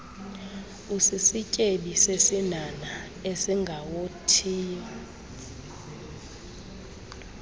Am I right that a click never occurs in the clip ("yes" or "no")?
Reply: yes